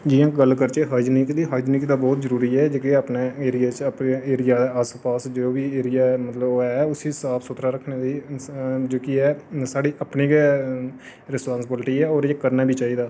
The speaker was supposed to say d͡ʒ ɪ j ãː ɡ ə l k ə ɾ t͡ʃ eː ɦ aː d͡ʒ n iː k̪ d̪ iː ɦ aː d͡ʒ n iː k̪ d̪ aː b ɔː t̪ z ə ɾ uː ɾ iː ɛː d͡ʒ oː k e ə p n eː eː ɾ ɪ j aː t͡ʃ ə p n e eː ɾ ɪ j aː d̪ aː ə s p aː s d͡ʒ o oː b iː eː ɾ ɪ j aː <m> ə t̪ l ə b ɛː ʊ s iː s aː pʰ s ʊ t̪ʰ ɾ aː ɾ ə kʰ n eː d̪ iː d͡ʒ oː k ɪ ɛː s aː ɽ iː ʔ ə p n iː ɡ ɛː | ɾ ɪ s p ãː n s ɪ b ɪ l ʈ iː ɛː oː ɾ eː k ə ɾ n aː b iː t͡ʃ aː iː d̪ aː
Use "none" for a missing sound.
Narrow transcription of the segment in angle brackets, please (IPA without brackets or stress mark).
m